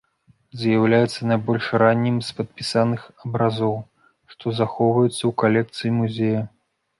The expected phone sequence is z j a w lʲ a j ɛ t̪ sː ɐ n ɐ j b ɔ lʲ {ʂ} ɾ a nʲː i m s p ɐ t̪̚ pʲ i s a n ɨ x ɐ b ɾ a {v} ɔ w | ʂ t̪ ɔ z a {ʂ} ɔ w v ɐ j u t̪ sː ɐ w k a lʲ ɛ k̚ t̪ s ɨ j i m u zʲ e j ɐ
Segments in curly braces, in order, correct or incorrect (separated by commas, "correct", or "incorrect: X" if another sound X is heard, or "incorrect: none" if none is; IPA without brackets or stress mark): correct, incorrect: z, incorrect: x